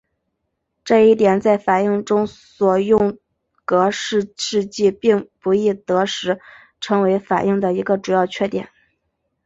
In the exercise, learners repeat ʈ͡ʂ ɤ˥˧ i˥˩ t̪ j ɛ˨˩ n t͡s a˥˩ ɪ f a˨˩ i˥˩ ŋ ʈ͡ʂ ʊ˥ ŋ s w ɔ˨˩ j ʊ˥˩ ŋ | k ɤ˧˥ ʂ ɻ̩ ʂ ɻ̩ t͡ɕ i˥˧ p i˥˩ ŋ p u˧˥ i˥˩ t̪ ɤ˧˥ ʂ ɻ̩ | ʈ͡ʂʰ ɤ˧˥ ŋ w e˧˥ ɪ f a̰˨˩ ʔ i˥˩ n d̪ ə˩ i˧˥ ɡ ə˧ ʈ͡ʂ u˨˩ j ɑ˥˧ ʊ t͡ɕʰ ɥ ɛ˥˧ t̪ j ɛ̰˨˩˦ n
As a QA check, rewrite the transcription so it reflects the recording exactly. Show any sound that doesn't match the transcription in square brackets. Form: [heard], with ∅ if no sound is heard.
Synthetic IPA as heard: ʈ͡ʂ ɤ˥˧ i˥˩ t̪ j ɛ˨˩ n t͡s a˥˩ ɪ f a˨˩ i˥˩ ŋ ʈ͡ʂ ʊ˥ ŋ s w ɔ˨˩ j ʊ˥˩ ŋ | k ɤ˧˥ ʂ ɻ̩ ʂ ɻ̩ t͡ɕ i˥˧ p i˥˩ ŋ p u˧˥ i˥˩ t̪ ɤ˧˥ ʂ ɻ̩ | ʈ͡ʂʰ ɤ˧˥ ŋ w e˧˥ ɪ f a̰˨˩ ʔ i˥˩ [ŋ] d̪ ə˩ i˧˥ ɡ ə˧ ʈ͡ʂ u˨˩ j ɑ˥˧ ʊ t͡ɕʰ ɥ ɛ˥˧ t̪ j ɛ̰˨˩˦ n